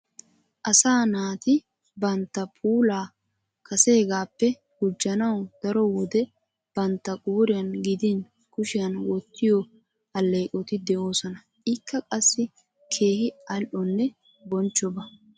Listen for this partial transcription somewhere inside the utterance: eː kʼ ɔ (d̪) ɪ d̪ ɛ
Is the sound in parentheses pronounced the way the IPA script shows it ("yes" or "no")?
no